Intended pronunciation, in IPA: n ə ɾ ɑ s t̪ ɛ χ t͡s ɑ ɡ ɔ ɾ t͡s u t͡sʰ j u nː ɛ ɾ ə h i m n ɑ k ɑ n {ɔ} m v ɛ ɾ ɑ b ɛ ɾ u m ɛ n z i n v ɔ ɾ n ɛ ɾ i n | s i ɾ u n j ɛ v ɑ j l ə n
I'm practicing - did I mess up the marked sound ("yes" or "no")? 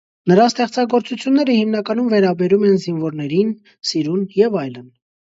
yes